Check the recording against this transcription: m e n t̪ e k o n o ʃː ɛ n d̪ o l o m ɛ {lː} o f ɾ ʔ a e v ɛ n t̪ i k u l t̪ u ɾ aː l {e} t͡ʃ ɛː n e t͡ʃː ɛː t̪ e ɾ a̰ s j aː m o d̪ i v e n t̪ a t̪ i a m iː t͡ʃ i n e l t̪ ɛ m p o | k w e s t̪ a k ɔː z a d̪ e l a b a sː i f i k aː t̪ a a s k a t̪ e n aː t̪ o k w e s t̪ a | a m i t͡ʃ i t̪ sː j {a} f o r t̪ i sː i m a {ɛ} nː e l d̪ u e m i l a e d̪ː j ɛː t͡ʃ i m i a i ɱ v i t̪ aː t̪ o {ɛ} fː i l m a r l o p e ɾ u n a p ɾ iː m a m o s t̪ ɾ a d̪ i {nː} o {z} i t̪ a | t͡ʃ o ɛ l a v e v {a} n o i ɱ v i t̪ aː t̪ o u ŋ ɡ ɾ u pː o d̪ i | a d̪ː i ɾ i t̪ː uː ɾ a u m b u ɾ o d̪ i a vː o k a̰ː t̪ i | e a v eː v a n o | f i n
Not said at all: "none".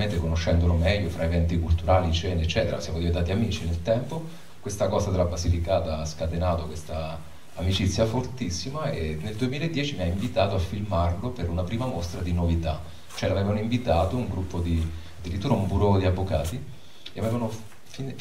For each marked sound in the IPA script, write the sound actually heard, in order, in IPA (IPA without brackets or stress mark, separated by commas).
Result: ʎː, i, a, e, a, n, v, a